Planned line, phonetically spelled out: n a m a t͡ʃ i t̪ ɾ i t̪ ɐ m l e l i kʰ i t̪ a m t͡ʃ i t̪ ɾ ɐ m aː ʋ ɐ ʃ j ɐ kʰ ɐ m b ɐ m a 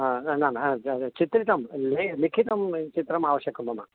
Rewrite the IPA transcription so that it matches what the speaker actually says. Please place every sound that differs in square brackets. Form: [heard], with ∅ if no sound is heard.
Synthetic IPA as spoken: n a [n] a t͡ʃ i t̪ ɾ i t̪ ɐ m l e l i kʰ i t̪ [ɐ] m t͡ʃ i t̪ ɾ ɐ m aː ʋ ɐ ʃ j ɐ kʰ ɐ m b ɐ m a